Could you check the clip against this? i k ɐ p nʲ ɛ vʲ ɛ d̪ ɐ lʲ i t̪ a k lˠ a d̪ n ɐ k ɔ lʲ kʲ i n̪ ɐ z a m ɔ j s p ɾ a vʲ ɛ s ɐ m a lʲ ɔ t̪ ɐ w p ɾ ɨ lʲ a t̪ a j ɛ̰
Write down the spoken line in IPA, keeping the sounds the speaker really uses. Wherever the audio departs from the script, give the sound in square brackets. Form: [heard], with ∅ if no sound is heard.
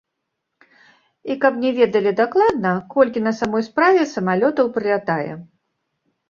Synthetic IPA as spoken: i k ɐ p nʲ ɛ vʲ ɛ d̪ ɐ lʲ i [d̪] a k lˠ a d̪ n ɐ k ɔ lʲ kʲ i n̪ ɐ [s] a m ɔ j s p ɾ a vʲ ɛ s ɐ m a lʲ ɔ t̪ ɐ w p ɾ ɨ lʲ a t̪ a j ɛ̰